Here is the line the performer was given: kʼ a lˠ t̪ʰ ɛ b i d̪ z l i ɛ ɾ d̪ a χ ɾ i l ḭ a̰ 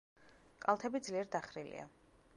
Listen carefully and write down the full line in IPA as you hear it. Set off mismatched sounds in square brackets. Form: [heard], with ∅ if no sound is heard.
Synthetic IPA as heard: kʼ a lˠ t̪ʰ ɛ b i d̪ z l i ɛ ɾ d̪ a χ ɾ i l ḭ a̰